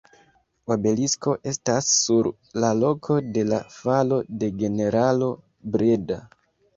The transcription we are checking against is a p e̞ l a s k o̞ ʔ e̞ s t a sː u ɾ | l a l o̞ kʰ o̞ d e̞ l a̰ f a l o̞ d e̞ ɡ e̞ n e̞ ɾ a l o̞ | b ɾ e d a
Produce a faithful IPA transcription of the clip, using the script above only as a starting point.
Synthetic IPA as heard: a b e̞ l i s k o̞ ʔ e̞ s t a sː u ɾ | l a l o̞ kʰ o̞ d e̞ l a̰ f a l o̞ d e̞ ɡ e̞ n e̞ ɾ a l o̞ | b ɾ e d a